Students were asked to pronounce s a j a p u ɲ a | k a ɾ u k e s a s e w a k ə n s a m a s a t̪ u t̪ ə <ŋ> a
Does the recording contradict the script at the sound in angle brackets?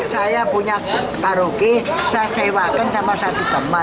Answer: yes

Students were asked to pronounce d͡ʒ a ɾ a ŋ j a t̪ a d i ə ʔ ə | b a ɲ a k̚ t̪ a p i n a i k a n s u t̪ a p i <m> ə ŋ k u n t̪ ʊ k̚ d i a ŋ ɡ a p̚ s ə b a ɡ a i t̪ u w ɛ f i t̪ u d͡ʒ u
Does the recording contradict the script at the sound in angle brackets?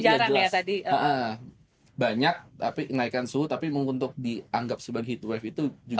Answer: no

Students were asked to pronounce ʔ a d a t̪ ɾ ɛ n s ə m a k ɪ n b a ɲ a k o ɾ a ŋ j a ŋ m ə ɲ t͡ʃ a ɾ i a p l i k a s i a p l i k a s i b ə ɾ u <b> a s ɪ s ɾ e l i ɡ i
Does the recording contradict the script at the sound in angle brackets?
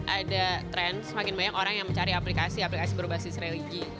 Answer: no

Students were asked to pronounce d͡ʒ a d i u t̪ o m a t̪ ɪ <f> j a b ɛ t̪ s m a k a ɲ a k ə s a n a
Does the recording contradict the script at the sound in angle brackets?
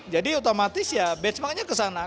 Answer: yes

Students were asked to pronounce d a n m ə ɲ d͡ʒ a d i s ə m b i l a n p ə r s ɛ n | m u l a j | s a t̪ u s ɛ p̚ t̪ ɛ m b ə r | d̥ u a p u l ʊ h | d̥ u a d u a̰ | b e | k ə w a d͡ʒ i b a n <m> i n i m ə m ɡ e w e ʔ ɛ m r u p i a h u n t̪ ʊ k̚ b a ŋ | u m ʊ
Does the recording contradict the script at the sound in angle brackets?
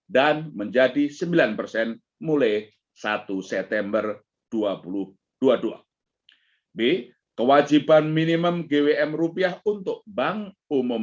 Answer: no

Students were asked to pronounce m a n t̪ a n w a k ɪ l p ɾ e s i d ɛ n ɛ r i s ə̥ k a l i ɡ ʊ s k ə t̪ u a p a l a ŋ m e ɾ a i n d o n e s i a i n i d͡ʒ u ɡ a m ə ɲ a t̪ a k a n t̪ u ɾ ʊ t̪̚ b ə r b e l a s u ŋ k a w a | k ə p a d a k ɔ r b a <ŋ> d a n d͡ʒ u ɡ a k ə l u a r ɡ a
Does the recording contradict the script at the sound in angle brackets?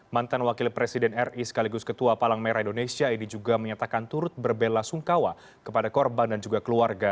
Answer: yes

